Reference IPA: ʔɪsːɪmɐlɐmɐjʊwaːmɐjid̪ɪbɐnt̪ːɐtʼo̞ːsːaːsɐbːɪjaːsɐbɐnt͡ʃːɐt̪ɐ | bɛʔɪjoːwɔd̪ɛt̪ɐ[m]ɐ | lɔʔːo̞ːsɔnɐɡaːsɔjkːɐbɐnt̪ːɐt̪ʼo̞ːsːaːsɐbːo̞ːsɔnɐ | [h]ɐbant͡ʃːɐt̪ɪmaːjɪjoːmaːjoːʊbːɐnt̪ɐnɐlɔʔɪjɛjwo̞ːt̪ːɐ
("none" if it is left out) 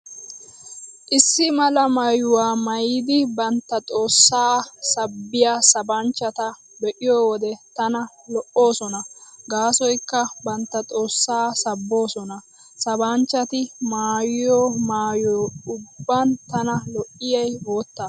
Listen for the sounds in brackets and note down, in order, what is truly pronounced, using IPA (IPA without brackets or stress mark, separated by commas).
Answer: n, s